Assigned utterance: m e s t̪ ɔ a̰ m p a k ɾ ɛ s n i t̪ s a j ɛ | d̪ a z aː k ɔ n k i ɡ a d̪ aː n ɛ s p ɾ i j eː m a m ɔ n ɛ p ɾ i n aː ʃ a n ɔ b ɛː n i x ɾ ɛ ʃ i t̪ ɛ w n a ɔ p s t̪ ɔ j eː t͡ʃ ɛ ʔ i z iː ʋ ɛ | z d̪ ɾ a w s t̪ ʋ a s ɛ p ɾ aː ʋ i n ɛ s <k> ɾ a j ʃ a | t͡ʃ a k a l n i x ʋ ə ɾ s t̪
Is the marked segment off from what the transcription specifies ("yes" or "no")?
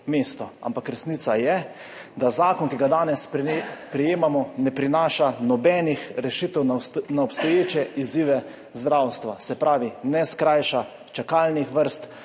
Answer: no